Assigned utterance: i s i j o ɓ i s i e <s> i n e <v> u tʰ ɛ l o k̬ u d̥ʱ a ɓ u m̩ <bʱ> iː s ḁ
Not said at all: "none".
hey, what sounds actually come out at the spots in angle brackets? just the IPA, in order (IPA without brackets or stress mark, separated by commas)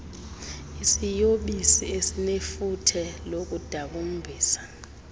s, f, bʱ